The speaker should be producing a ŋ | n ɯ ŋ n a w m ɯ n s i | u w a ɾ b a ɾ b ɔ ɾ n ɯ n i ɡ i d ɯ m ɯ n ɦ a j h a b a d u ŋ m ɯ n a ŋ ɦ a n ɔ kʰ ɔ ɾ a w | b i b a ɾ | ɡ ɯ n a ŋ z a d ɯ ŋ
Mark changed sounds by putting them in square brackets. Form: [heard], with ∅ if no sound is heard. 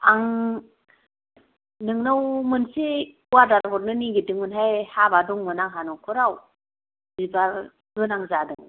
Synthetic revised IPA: a ŋ | n ɯ ŋ n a w m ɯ n s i | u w a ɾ [d] a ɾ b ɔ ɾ n ɯ n i ɡ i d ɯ [ŋ] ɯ n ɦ a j h a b a d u ŋ m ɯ n a ŋ ɦ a n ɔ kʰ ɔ ɾ a w | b i b a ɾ | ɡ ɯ n a ŋ z a d ɯ ŋ